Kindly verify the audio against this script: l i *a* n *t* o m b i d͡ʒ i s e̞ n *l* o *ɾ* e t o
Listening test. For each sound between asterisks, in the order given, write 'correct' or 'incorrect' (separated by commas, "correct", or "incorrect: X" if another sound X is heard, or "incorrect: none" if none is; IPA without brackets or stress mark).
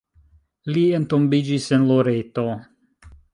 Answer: incorrect: e, correct, correct, correct